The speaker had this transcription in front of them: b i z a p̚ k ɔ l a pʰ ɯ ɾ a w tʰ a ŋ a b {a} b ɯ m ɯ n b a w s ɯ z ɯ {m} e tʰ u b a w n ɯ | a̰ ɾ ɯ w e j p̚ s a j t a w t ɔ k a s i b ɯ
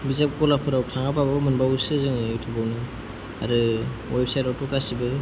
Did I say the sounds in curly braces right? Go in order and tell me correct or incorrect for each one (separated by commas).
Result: correct, incorrect